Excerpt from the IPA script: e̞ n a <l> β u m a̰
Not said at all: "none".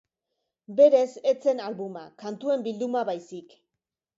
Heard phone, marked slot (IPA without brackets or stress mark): l